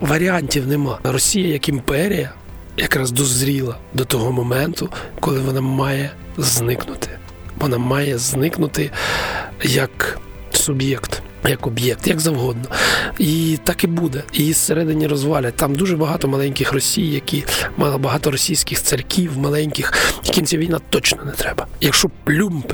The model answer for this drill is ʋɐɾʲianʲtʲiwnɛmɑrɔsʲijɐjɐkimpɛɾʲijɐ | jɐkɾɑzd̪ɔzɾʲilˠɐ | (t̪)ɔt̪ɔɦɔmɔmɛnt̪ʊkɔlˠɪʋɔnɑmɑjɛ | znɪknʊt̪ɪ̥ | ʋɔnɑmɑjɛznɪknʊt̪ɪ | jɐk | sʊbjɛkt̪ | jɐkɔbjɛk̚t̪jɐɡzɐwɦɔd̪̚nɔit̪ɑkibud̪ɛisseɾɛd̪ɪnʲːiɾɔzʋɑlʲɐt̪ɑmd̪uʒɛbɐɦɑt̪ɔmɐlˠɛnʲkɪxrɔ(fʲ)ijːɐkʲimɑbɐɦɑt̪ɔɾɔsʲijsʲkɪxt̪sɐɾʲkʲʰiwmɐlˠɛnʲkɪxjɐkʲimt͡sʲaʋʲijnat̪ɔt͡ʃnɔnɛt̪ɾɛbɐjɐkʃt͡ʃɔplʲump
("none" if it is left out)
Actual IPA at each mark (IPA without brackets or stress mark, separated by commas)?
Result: d̪, sʲ